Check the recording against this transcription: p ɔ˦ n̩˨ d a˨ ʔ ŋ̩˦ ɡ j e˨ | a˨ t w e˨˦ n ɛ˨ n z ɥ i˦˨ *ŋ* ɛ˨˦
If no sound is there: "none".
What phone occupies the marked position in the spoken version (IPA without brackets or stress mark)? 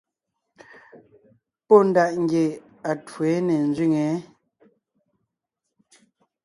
ŋ